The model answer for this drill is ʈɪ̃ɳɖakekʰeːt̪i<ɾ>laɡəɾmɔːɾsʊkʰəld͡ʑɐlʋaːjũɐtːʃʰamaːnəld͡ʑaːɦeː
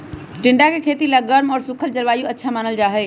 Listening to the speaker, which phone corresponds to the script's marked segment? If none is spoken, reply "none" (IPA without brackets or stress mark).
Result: none